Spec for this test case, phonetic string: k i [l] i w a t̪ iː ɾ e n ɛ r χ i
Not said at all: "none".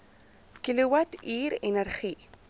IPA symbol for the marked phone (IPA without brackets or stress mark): l